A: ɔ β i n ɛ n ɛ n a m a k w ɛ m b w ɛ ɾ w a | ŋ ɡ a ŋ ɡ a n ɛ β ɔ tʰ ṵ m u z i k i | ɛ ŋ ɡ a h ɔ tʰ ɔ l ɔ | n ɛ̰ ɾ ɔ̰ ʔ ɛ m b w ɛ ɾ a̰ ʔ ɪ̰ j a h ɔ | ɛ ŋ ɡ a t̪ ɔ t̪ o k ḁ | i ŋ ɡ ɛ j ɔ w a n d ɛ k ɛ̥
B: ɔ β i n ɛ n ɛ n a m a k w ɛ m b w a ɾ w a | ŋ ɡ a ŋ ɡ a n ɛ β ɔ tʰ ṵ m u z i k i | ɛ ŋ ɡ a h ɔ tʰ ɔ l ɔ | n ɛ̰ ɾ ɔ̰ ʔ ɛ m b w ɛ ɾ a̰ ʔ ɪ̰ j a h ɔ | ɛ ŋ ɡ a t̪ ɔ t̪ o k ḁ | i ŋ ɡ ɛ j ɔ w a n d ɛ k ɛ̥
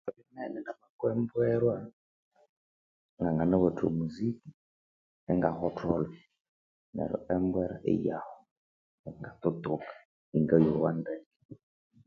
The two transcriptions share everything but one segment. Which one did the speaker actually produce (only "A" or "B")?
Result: A